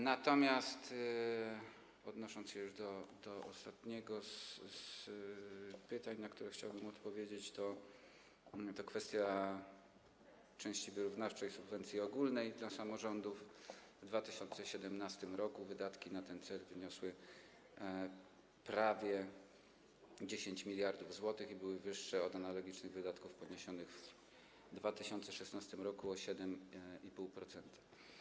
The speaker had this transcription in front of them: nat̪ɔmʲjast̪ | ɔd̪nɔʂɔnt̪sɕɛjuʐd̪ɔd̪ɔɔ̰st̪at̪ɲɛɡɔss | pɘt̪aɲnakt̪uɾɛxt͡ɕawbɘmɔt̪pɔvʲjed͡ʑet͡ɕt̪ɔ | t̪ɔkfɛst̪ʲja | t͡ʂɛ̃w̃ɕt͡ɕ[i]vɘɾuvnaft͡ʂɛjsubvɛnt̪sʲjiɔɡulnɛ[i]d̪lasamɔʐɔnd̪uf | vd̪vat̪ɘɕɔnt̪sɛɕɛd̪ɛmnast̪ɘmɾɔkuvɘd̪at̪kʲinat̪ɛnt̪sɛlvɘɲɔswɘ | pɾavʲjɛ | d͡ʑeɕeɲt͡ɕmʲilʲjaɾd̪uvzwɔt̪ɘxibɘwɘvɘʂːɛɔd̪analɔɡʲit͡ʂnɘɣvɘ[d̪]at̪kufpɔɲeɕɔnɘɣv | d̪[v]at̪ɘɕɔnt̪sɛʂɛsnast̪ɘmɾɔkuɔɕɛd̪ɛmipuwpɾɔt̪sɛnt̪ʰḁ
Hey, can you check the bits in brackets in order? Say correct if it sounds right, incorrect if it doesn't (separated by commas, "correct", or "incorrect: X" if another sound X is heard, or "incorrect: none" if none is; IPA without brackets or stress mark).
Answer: correct, incorrect: j, correct, correct